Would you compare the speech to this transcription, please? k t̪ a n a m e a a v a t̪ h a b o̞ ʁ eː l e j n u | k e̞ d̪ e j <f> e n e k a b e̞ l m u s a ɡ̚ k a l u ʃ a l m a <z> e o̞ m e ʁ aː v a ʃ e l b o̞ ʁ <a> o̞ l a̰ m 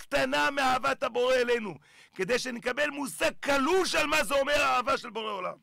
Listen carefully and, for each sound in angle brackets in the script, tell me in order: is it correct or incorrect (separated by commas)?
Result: incorrect, correct, incorrect